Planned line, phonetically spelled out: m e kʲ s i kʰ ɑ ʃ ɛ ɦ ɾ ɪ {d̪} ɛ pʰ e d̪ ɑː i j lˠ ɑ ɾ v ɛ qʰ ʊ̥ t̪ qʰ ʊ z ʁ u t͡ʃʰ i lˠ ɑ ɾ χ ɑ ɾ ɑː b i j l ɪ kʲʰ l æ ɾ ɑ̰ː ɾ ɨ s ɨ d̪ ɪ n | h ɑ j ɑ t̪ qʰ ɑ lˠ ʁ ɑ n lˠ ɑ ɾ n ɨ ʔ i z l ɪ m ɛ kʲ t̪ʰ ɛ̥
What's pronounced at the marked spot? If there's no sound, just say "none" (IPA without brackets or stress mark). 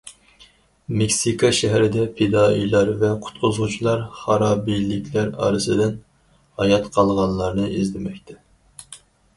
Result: d̪